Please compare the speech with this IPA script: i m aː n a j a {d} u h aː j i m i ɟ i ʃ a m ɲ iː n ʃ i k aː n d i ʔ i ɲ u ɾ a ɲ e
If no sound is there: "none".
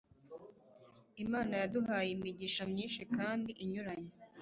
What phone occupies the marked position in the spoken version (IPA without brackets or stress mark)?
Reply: d